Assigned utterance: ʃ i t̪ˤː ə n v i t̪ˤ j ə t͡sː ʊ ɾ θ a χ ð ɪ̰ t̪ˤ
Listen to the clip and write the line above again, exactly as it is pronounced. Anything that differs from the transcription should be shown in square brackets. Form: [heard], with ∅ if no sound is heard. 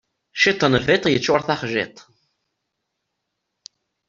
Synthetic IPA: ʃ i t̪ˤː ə n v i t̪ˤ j ə t͡sː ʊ ɾ θ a χ [ʒ] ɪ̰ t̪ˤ